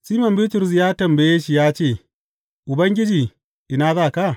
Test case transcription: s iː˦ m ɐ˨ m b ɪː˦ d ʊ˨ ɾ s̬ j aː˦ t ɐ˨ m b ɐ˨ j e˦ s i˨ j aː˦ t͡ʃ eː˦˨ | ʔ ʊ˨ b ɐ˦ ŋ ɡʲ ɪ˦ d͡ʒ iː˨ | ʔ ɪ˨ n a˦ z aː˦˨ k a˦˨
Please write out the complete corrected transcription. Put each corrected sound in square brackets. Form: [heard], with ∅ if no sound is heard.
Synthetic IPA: s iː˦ m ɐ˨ m b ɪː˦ [t] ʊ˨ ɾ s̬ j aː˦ t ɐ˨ m b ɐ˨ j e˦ [ʃ] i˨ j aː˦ t͡ʃ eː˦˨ | ʔ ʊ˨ b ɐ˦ ŋ ɡʲ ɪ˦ d͡ʒ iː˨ | ʔ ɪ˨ n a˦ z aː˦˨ k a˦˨